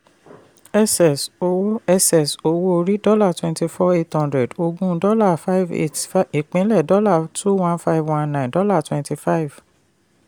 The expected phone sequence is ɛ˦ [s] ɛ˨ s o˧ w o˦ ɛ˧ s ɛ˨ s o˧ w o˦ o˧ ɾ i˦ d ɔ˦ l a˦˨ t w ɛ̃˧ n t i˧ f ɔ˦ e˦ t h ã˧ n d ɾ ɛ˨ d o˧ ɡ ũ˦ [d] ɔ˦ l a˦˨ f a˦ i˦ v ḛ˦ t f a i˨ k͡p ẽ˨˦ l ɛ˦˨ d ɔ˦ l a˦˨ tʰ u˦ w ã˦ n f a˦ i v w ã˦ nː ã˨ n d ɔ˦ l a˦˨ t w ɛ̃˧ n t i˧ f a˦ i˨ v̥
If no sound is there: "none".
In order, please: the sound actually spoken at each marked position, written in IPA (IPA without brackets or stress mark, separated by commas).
s, d